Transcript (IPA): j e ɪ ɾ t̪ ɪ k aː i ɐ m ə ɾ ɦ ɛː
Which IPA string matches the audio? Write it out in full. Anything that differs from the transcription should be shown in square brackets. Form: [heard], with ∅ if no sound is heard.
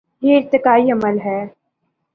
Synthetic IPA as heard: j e ɪ ɾ t̪ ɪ k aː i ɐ m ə [l] ɦ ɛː